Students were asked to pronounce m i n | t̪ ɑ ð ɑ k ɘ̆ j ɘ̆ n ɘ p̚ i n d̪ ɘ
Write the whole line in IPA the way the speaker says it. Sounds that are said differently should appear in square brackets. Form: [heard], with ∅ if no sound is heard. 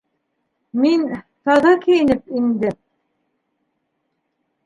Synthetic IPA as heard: m i n | t̪ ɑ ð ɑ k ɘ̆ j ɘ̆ n ɘ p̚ i n d̪ ɘ